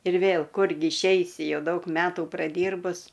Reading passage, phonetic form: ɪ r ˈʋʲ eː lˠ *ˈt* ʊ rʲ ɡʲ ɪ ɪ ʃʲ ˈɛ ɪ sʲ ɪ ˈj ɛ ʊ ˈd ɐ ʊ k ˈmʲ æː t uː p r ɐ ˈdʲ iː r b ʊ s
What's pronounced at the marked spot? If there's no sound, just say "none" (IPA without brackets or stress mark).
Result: k